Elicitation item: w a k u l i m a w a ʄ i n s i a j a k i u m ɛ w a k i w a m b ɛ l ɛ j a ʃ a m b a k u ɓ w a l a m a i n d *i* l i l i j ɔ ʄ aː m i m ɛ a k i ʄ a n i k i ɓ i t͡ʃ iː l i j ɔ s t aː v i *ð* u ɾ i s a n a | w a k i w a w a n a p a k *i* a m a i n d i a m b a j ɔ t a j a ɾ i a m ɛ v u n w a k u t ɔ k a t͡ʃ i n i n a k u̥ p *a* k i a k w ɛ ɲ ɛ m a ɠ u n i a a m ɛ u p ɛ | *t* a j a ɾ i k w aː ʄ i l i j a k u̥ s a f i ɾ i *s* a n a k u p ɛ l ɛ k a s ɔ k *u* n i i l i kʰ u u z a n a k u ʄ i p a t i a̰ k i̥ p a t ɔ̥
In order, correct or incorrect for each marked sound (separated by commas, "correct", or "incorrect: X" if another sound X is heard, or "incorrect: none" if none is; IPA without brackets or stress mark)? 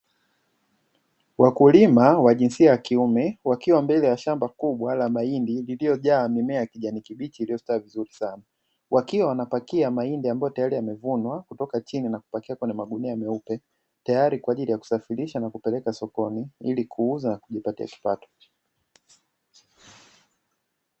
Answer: correct, incorrect: z, correct, correct, correct, incorrect: ʃ, incorrect: ɔ